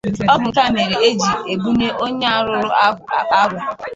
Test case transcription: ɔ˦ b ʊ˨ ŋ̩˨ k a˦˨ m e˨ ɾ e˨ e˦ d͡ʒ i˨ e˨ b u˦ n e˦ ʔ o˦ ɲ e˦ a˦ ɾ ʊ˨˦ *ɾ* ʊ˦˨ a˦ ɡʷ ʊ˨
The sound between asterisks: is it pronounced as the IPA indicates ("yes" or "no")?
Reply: yes